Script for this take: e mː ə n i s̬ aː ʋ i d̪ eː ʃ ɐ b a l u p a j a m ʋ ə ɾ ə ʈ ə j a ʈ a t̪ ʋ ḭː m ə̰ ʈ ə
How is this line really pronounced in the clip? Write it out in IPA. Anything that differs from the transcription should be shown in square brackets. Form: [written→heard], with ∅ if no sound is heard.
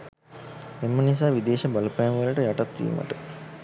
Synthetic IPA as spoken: e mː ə n i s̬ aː ʋ i d̪ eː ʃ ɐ b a l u p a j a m ʋ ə [ɾ→l] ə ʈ ə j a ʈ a t̪ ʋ ḭː m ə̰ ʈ ə